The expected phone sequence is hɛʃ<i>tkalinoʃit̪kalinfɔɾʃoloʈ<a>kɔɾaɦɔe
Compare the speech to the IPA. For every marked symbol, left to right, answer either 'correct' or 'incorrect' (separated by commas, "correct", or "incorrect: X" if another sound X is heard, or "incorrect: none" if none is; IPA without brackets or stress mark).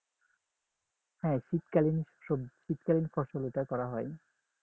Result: correct, correct